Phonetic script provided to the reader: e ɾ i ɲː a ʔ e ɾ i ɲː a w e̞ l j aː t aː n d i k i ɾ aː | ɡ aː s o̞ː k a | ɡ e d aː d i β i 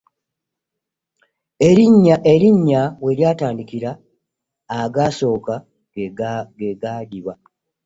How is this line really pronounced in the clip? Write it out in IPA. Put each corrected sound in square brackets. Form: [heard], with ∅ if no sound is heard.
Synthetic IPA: e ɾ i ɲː a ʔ e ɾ i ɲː a w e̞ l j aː t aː n d i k i ɾ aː | ɡ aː s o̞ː k a | ɡ e [ɡ] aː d i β [a]